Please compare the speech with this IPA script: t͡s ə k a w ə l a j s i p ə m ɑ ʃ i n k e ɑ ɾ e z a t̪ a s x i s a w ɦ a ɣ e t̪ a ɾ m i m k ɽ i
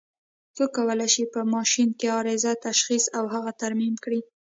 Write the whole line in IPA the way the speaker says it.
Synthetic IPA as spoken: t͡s ə k a w ə l a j ʃ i p ə m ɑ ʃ i n k e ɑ ɾ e z a t̪ a ʃ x i s a w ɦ a ɣ a t̪ a ɾ m i m k ɽ i